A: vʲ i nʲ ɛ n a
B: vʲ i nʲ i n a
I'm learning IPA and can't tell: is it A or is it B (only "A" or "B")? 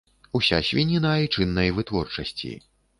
B